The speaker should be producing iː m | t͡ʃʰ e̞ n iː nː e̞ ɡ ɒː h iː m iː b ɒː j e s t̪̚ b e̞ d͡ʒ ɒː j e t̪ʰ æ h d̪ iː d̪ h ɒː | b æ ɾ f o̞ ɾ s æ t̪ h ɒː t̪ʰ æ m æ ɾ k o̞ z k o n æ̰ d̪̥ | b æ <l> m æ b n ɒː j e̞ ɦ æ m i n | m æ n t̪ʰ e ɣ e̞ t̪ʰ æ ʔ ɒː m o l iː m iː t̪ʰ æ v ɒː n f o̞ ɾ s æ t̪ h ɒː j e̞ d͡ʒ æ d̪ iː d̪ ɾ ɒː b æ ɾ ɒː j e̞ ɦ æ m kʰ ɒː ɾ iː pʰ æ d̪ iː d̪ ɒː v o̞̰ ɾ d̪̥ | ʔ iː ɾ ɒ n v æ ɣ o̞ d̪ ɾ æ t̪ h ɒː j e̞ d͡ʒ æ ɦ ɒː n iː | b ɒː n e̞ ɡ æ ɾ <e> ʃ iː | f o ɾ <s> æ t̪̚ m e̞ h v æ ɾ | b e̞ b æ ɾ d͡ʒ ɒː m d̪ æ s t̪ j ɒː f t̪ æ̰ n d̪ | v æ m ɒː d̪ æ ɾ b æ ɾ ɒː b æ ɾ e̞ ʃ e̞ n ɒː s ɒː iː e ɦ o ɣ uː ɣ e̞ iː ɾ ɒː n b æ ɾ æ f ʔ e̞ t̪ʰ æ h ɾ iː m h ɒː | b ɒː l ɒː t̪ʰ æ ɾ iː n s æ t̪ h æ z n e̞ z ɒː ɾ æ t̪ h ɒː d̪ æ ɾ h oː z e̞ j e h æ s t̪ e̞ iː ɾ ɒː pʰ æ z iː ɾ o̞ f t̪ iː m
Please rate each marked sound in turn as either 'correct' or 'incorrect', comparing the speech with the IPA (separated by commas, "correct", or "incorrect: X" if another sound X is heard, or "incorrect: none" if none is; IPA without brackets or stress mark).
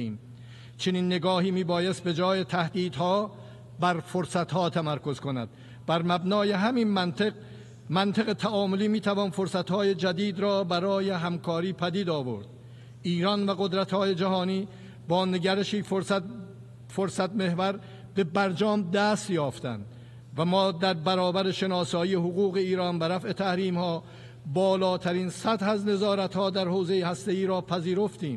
incorrect: ɾ, correct, correct